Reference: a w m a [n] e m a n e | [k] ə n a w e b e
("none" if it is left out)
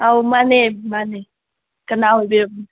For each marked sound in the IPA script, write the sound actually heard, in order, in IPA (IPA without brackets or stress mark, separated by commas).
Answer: n, k